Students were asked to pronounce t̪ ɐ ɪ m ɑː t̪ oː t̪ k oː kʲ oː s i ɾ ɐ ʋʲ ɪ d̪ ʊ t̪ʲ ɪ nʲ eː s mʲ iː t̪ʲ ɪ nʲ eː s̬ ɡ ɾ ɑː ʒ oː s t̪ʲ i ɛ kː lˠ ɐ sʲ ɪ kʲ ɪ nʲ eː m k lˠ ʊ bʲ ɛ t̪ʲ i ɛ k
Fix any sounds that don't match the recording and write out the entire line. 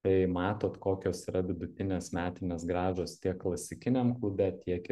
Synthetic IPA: t̪ ɐ ɪ m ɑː t̪ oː t̪ k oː kʲ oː s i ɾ ɐ ʋʲ ɪ d̪ ʊ t̪ʲ ɪ nʲ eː s mʲ æː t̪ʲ ɪ nʲ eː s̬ ɡ ɾ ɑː ʒ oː s t̪ʲ i ɛ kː lˠ ɐ sʲ ɪ kʲ ɪ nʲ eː m k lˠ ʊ bʲ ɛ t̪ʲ i ɛ k

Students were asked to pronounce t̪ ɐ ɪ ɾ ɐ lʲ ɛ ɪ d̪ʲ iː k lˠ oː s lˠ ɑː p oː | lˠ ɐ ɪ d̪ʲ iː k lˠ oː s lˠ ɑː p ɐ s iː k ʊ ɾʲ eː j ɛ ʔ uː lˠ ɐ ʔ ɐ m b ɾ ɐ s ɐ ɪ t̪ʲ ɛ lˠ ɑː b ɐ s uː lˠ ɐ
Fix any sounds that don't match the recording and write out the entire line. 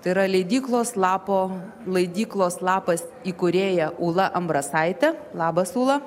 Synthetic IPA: t̪ ɐ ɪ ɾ ɐ lʲ ɛ ɪ d̪ʲ iː k lˠ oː s lˠ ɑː p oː | lˠ ɐ ɪ d̪ʲ iː k lˠ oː s lˠ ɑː p ɐ s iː k ʊ ɾʲ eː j ɛ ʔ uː lˠ ɐ ʔ ɐ m b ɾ ɐ s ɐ ɪ t̪ʲ ɛ lˠ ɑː b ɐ s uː lˠ ɐ

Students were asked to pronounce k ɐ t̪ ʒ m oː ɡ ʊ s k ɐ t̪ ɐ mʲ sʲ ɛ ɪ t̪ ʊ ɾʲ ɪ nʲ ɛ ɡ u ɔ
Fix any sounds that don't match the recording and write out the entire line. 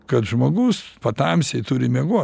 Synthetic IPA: k ɐ t̪ ʒ m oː ɡ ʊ s p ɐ t̪ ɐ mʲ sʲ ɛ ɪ t̪ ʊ ɾʲ ɪ mʲ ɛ ɡ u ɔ

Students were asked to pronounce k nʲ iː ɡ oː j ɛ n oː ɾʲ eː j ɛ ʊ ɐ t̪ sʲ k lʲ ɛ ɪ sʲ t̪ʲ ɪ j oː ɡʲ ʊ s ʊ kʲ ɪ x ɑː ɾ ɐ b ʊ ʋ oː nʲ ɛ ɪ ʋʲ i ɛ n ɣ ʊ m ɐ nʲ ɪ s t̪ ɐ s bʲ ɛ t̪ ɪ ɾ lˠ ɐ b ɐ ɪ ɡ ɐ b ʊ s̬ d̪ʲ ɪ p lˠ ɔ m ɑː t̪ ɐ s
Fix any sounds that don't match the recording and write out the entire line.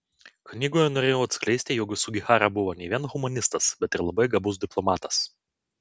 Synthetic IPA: k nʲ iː ɡ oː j ɛ n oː ɾʲ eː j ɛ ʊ ɐ t̪ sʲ k lʲ ɛ ɪ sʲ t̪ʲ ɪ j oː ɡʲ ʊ s ʊ ɡʲ ɪ x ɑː ɾ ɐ b ʊ ʋ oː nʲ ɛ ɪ ʋʲ i ɛ n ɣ ʊ m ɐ nʲ ɪ s t̪ ɐ s bʲ ɛ t̪ ɪ ɾ lˠ ɐ b ɐ ɪ ɡ ɐ b ʊ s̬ d̪ʲ ɪ p lˠ ɔ m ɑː t̪ ɐ s

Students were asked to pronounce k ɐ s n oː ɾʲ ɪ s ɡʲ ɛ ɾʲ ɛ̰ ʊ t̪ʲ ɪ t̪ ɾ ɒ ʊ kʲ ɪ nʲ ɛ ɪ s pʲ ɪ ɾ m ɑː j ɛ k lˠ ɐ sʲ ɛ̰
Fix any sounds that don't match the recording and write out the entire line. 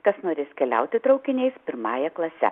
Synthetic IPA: k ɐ s n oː ɾʲ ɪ s kʲ ɛ lʲ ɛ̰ ʊ t̪ʲ ɪ t̪ ɾ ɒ ʊ kʲ ɪ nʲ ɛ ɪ s pʲ ɪ ɾ m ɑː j ɛ k lˠ ɐ sʲ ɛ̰

